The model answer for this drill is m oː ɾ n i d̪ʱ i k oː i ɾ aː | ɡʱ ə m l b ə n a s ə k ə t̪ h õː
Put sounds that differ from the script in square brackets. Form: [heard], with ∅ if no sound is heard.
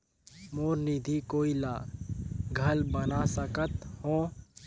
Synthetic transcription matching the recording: m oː ɾ n i d̪ʱ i k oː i [l] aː | ɡʱ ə [∅] l b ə n a s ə k ə t̪ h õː